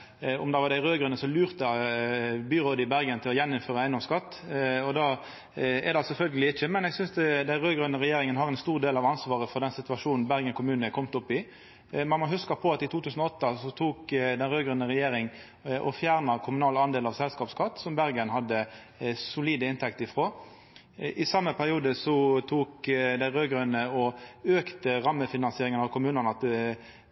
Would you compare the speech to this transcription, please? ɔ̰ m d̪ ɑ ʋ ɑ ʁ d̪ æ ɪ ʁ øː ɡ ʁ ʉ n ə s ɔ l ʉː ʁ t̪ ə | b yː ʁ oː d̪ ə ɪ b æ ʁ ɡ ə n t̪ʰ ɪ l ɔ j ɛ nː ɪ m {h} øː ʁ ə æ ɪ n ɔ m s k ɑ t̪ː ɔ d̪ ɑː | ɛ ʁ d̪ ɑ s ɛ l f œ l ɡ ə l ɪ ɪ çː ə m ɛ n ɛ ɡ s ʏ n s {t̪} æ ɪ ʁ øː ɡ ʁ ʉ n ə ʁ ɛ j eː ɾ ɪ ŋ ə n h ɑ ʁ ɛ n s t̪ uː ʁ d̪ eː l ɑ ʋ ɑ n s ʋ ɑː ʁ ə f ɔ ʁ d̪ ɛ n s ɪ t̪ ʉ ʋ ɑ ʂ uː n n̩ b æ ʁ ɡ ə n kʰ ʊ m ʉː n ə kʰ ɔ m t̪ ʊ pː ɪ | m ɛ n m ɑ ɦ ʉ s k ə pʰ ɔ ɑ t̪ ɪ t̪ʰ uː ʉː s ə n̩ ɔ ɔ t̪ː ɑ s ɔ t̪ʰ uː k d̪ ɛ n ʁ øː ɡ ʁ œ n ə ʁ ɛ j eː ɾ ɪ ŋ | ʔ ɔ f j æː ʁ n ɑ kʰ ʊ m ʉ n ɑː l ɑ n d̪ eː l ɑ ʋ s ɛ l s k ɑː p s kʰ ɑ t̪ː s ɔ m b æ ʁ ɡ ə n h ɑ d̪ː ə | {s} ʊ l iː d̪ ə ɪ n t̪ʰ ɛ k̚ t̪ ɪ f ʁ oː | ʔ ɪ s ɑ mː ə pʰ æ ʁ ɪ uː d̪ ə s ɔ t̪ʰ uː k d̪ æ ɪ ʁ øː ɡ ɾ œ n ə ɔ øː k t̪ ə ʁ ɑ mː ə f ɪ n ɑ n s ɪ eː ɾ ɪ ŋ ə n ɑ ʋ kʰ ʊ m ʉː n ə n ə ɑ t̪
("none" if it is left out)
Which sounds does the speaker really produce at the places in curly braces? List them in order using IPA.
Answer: f, d̪, s

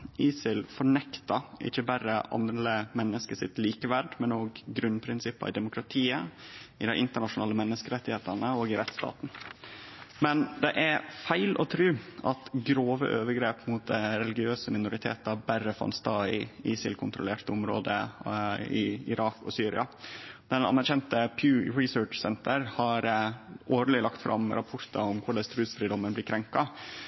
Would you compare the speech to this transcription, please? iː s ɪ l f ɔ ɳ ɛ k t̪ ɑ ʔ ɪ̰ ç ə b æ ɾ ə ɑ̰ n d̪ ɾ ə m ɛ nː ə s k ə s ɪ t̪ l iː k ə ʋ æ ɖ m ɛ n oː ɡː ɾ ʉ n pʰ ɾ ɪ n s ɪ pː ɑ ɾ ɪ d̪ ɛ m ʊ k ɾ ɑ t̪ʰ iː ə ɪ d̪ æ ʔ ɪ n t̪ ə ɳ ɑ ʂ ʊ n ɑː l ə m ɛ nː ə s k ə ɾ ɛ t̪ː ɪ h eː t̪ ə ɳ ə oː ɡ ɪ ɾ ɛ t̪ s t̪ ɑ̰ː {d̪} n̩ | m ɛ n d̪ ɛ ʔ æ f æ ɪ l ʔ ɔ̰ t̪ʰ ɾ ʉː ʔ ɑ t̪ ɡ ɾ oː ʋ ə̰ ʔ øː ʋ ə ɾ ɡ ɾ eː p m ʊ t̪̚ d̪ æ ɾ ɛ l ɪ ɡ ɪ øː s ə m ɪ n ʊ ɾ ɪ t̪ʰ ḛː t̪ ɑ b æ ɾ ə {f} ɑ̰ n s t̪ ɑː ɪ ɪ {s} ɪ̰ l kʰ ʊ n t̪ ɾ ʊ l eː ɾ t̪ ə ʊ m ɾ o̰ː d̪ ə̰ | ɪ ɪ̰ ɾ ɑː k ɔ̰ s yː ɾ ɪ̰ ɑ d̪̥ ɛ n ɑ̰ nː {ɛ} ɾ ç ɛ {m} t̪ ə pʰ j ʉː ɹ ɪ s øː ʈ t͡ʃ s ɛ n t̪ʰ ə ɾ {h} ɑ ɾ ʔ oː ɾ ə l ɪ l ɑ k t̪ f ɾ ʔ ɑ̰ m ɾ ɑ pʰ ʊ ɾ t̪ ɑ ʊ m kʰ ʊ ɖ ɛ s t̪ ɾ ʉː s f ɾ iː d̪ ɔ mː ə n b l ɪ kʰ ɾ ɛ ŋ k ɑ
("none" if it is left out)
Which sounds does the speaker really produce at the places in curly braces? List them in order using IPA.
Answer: t̪, f, s, æ, n, h

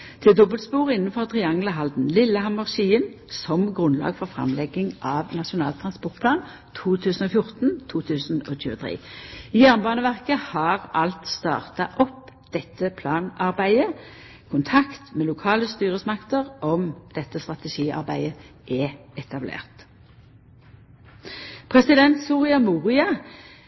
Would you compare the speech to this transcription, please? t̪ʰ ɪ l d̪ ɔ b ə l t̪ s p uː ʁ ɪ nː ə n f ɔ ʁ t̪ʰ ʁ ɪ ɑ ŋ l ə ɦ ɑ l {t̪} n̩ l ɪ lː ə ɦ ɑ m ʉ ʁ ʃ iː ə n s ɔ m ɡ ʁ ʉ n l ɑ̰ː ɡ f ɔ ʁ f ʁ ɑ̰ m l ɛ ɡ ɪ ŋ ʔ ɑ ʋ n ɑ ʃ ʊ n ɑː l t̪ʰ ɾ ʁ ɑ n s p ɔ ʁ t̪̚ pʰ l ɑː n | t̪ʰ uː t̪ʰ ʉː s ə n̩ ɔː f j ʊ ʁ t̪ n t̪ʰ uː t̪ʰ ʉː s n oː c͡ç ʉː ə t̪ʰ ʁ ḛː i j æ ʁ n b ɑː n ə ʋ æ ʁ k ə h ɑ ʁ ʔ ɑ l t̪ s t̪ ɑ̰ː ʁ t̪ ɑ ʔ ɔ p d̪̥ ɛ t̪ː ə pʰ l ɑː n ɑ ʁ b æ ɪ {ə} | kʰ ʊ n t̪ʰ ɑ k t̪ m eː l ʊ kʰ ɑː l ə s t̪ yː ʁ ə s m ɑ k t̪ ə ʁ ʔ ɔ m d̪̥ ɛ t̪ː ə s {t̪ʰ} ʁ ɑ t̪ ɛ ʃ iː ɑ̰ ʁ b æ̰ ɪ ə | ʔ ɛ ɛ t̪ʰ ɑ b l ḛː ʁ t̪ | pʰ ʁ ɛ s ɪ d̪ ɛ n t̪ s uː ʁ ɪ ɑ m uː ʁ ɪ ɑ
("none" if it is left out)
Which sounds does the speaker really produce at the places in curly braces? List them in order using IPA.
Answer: d̪, ə, t̪

